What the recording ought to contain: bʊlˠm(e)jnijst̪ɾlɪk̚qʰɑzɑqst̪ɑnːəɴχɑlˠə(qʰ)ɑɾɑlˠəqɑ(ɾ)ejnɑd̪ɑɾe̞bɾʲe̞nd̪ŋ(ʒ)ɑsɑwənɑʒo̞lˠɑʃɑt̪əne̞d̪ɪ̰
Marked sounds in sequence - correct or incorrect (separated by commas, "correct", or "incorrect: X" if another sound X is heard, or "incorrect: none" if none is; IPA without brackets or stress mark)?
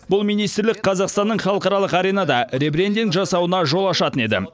incorrect: i, incorrect: q, correct, correct